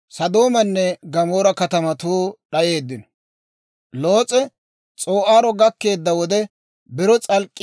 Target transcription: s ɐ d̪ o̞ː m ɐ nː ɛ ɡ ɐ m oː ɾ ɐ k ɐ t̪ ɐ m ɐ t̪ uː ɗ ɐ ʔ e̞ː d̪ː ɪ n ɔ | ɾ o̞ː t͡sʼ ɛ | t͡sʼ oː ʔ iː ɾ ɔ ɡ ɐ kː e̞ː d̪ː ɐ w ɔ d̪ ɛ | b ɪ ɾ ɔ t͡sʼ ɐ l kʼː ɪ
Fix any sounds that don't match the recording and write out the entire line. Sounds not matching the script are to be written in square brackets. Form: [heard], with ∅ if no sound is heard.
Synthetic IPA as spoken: s ɐ d̪ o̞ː m ɐ nː ɛ ɡ ɐ m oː ɾ ɐ k ɐ t̪ ɐ m ɐ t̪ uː ɗ ɐ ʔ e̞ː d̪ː ɪ n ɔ | [l] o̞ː t͡sʼ ɛ | t͡sʼ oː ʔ [aː] ɾ ɔ ɡ ɐ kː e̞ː d̪ː ɐ w ɔ d̪ ɛ | b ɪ ɾ ɔ t͡sʼ ɐ l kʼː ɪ